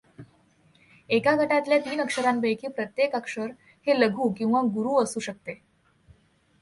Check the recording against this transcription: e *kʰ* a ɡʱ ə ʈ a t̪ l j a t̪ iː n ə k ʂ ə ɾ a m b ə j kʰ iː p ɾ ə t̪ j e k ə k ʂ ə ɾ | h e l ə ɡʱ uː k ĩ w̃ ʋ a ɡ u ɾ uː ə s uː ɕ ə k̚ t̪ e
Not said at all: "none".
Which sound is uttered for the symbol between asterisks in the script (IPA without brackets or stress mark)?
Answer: k